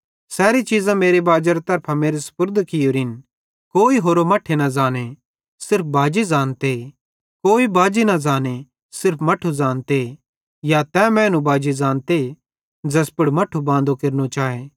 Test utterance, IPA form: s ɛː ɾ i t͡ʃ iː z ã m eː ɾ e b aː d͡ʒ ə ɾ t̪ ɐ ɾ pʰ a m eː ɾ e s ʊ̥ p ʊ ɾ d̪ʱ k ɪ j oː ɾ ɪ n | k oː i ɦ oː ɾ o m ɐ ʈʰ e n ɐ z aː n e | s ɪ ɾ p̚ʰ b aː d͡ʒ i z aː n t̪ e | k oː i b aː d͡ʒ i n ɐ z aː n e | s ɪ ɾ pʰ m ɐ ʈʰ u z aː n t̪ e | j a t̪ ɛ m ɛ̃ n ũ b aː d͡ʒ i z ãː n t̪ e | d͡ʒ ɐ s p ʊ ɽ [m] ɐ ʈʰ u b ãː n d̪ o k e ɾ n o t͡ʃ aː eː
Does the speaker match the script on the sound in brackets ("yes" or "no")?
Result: yes